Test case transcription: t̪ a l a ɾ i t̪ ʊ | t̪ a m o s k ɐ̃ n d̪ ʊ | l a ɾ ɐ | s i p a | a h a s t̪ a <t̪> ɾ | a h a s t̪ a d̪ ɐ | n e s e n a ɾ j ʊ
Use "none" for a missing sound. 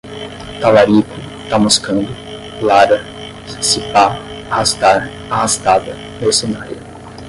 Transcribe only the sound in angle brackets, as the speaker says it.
none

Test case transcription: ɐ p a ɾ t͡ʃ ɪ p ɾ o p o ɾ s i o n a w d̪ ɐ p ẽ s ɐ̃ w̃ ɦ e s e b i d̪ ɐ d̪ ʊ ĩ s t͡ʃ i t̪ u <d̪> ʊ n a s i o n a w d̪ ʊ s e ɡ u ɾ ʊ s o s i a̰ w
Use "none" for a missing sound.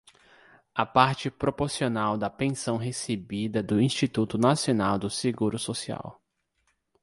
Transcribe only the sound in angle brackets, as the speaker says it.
t̪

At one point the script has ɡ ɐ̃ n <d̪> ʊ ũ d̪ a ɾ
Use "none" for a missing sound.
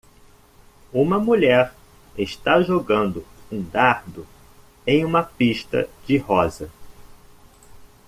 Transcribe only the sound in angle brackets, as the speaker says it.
d̪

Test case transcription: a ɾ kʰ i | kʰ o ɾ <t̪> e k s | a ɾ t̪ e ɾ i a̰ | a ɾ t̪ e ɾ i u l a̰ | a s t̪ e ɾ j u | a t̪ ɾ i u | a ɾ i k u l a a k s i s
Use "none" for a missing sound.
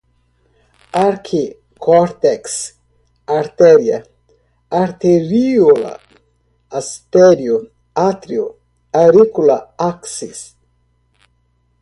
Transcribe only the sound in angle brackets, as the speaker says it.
t̪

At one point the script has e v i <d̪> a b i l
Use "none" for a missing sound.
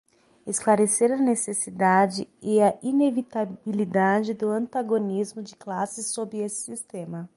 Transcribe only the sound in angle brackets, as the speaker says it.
t̪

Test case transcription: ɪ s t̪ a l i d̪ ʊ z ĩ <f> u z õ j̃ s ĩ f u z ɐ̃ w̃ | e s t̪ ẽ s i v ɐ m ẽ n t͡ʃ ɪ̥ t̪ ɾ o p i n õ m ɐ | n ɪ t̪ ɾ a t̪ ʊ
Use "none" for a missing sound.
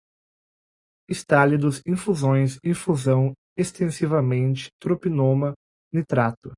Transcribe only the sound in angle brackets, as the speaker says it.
f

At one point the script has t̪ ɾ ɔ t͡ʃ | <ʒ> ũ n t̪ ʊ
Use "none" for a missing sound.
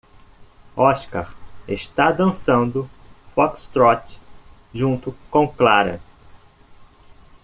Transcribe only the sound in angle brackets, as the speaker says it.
ʒ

